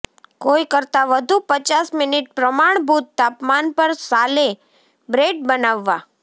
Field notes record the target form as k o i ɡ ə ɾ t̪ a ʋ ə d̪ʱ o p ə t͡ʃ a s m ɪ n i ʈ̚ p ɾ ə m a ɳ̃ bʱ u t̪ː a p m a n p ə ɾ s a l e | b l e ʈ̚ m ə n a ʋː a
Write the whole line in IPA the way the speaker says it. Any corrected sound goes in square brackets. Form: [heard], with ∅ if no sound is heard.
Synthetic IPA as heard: k o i [k] ə ɾ t̪ a ʋ ə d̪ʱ [u] p ə t͡ʃ a s m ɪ n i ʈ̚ p ɾ ə m a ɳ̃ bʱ u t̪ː a p m a n p ə ɾ s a l e | b [ɾ] e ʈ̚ [b] ə n a ʋː a